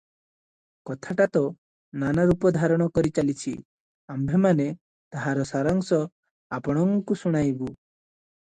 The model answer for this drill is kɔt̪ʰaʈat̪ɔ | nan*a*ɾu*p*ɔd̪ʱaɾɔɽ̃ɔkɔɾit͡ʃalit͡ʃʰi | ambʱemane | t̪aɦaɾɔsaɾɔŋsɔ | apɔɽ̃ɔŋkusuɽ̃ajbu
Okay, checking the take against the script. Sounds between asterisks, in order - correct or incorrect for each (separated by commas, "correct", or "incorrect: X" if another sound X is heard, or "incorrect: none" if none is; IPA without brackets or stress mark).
correct, correct